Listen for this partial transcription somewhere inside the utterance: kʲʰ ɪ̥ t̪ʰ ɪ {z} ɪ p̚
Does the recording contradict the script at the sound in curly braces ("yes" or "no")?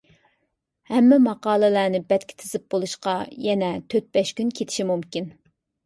no